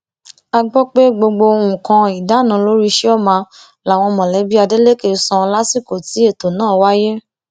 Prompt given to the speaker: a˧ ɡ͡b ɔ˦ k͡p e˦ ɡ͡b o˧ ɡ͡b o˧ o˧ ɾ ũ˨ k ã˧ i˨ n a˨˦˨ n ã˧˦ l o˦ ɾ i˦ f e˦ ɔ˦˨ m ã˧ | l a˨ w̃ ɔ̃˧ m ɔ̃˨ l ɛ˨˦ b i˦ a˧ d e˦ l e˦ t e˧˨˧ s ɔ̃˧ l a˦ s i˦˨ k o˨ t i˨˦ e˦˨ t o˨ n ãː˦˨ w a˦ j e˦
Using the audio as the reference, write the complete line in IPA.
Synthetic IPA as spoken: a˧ ɡ͡b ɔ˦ k͡p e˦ ɡ͡b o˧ ɡ͡b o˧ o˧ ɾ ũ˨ k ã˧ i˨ d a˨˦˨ n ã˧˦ l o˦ ɾ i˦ ʃ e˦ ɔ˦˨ m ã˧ | l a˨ w̃ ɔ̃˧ m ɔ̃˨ l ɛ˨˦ b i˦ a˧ d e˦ l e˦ k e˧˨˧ s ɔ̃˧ l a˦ s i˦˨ k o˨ t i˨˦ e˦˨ t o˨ n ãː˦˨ w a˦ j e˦